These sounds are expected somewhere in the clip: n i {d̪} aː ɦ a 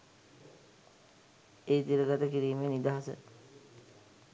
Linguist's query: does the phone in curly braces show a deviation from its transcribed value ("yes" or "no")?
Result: no